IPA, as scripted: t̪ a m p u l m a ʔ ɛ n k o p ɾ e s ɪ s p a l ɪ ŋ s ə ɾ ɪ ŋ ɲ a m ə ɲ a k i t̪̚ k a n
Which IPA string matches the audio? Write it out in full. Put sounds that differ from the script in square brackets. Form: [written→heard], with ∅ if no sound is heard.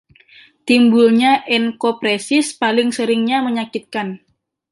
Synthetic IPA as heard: t̪ [a→i] m [p→b] u l [m→ɲ] a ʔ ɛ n k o p ɾ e s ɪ s p a l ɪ ŋ s ə ɾ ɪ ŋ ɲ a m ə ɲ a k i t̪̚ k a n

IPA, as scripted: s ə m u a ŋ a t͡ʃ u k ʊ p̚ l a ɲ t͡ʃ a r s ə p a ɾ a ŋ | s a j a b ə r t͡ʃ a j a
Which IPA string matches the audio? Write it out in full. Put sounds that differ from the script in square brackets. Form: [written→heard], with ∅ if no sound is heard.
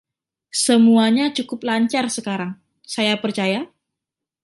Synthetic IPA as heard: s ə m u a [ŋ→ɲ] a t͡ʃ u k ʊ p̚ l a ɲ t͡ʃ a r s ə [p→k] a ɾ a ŋ | s a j a [b→p] ə r t͡ʃ a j a

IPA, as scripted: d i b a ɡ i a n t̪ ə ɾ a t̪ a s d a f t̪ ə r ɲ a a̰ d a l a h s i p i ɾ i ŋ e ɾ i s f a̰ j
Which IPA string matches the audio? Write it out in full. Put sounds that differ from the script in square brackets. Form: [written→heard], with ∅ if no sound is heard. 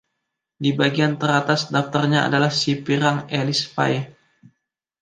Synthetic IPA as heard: d i b a ɡ i a n t̪ ə ɾ a t̪ a s d a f t̪ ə r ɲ a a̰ d a l a h s i p i ɾ [i→a] ŋ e [ɾ→l] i s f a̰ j

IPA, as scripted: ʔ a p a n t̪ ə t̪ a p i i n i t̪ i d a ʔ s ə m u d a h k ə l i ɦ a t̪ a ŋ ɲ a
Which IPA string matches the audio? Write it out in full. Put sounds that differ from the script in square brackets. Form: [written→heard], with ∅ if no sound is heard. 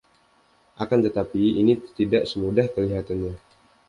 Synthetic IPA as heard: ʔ a [p→k] a n t̪ ə t̪ a p i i n i t̪ i d a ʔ s ə m u d a h k ə l i ɦ a t̪ a [ŋ→n] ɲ a

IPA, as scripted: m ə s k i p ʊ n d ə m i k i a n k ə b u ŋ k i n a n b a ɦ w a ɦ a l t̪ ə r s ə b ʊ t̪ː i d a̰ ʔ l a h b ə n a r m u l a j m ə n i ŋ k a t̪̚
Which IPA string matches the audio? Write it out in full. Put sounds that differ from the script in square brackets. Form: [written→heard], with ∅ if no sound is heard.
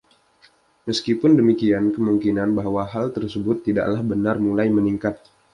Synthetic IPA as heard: m ə s k i p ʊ n d ə m i k i a n k ə [b→m] u ŋ k i n a n b a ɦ w a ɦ a l t̪ ə r s ə b ʊ t̪ː i d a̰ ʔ l a h b ə n a r m u l a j m ə n i ŋ k a t̪̚

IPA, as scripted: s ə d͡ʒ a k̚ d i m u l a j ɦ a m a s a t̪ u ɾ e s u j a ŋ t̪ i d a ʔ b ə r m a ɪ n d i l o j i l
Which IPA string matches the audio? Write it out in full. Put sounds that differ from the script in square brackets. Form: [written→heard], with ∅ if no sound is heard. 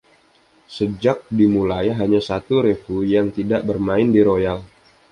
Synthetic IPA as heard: s ə d͡ʒ a k̚ d i m u l a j ɦ a [m→ɲ] a s a t̪ u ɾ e [s→f] u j a ŋ t̪ i d a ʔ b ə r m a ɪ n d i [l→ɾ] o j [i→a] l

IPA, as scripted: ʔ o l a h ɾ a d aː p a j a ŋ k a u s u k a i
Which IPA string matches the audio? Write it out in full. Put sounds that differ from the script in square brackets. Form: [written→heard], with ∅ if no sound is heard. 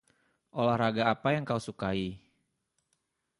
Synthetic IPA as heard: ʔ o l a h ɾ a [d→ɡ] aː p a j a ŋ k a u s u k a i

